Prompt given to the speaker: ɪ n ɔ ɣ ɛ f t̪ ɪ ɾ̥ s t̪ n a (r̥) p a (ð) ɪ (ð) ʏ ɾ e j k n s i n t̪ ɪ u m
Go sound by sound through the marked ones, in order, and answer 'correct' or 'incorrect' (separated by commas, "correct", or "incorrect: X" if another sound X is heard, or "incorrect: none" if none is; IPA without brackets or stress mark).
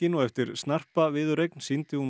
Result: correct, incorrect: v, correct